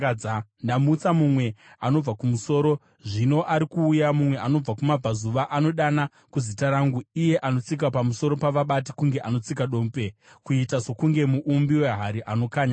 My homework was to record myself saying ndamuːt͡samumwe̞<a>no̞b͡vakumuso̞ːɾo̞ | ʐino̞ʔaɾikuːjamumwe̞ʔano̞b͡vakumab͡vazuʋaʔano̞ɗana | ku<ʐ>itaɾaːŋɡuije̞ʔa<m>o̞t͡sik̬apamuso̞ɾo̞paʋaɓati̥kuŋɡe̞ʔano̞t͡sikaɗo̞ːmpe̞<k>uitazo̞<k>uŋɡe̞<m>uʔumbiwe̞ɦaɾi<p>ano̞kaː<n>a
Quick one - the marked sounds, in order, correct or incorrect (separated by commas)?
correct, incorrect, incorrect, correct, correct, correct, incorrect, incorrect